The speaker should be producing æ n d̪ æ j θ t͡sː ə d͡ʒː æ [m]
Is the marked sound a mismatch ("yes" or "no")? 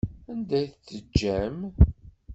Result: no